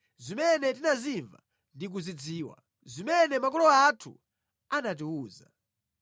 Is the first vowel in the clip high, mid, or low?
high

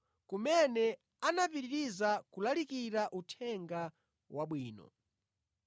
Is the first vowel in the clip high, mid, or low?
high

